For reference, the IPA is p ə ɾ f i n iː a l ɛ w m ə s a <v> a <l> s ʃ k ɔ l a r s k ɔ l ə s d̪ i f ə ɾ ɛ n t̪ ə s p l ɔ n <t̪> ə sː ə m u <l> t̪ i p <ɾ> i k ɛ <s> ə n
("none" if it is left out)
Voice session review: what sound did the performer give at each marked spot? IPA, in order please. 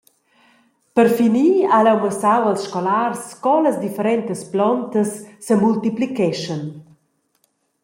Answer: w, l, t̪, l, l, ʃ

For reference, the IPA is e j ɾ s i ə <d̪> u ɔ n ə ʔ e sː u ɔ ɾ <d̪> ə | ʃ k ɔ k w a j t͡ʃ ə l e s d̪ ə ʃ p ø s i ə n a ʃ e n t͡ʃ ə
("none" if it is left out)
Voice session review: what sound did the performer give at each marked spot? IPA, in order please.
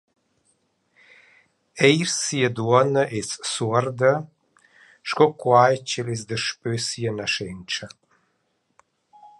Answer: d̪, d̪

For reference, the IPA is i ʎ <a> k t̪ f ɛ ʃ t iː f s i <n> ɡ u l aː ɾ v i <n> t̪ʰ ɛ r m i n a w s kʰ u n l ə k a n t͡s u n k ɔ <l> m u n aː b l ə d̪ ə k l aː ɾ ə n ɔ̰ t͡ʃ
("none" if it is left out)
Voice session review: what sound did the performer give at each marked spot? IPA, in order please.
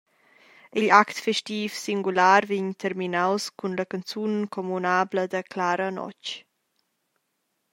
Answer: a, ŋ, ɲ, none

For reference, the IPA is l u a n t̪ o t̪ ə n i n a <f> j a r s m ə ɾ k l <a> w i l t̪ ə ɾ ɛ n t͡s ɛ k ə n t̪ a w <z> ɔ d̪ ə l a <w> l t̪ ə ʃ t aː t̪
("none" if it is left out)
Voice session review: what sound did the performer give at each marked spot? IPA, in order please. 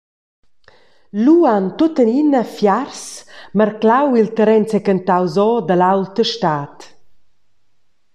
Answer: f, a, z, w

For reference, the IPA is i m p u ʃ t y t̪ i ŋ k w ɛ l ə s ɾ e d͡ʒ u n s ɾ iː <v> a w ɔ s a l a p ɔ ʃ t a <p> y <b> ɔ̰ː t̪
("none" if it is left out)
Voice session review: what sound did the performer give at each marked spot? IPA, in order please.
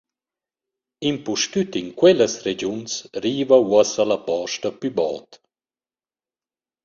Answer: v, p, b

